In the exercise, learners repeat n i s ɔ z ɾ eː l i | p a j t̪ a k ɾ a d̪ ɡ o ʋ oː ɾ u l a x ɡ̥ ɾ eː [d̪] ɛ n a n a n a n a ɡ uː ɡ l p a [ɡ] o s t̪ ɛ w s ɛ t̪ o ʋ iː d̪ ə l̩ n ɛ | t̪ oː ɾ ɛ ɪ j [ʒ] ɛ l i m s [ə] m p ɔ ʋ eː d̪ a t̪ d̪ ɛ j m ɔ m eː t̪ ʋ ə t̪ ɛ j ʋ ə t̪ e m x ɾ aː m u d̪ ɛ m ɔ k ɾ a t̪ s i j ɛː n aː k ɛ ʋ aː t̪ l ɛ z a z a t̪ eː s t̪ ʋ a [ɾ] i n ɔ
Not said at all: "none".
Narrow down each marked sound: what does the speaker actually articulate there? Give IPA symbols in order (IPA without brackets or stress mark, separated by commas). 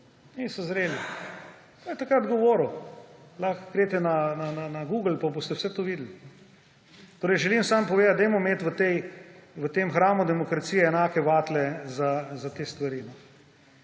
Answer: t̪, b, ʒ, a, ɾ